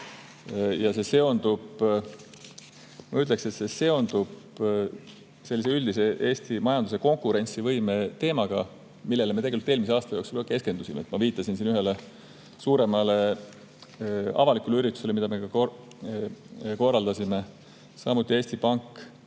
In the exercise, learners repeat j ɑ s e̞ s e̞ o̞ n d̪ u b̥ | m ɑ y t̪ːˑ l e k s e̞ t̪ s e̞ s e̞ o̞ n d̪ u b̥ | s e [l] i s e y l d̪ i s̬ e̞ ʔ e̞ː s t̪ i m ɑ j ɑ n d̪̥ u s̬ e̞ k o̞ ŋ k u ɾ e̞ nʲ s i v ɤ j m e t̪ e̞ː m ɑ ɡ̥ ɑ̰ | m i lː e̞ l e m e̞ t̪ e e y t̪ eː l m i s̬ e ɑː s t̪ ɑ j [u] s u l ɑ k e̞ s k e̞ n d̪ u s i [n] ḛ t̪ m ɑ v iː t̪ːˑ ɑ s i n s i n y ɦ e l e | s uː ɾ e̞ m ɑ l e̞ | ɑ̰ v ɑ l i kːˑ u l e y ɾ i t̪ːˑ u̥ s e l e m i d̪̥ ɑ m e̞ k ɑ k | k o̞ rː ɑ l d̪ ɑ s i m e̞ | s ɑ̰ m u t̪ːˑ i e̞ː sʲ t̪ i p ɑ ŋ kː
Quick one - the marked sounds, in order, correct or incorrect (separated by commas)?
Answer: incorrect, incorrect, incorrect